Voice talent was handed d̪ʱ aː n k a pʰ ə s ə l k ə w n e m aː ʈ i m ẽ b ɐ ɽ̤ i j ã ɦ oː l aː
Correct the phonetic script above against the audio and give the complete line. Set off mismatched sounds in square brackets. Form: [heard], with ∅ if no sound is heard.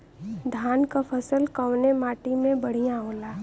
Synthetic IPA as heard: d̪ʱ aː n k a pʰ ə s ə l k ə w n e m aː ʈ i m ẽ b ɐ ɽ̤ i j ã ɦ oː l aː